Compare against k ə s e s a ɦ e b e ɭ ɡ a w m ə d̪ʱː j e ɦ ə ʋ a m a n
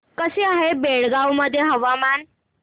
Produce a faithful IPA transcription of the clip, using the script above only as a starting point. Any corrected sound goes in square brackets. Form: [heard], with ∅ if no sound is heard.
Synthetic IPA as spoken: k ə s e [∅] a ɦ e b e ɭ ɡ a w m ə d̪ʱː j e ɦ ə ʋ a m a n